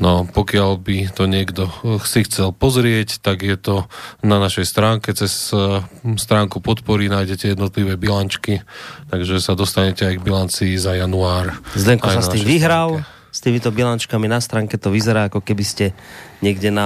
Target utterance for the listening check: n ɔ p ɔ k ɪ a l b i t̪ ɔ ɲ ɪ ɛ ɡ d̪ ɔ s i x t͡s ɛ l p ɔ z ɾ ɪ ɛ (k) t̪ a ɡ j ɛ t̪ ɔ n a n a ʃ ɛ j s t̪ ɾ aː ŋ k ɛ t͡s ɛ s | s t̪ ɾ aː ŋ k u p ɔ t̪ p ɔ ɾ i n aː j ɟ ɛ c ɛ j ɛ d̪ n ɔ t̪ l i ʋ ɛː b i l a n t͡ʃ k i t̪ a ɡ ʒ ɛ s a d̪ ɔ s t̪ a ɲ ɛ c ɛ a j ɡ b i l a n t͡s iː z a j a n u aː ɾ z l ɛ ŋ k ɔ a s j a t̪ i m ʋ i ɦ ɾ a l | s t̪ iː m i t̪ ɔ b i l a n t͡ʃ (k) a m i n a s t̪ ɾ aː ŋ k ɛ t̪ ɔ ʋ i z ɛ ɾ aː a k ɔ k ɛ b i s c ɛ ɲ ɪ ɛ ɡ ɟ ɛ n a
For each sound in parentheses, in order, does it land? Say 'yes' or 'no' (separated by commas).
no, yes